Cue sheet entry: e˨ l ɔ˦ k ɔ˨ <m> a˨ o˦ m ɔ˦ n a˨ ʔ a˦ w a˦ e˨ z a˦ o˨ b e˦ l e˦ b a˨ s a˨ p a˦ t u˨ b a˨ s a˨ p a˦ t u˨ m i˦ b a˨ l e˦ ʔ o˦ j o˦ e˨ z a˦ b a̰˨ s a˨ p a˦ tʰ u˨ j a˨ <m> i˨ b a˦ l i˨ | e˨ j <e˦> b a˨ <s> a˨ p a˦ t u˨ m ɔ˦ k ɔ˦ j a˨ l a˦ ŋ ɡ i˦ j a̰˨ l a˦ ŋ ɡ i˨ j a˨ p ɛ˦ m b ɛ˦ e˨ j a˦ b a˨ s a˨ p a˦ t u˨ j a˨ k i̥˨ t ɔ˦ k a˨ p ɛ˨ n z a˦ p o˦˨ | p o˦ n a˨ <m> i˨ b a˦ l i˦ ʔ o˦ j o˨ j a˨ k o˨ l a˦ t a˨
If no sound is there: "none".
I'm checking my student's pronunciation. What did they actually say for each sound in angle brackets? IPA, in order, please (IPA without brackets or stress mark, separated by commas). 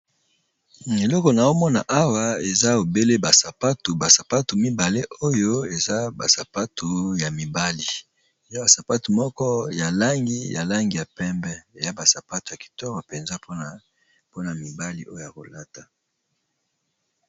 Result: n, m, a˦, s, m